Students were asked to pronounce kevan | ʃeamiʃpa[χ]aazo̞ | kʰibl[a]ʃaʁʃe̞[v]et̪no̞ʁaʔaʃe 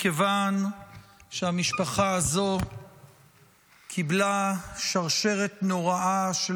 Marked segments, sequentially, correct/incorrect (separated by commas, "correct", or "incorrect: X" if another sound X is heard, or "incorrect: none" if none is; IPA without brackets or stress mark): correct, correct, incorrect: ʁ